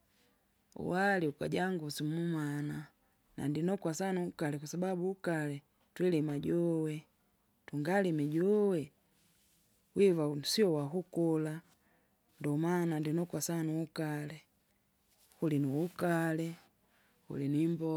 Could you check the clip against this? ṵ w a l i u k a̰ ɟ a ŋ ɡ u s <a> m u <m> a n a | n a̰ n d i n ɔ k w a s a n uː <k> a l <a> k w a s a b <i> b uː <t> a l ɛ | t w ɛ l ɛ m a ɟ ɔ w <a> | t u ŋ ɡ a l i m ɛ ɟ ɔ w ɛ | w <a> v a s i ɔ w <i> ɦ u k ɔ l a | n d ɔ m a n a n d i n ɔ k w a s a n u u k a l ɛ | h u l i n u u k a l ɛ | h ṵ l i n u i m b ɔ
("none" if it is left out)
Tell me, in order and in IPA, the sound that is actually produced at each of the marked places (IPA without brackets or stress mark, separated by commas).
i, m, k, ɛ, a, k, ɛ, i, a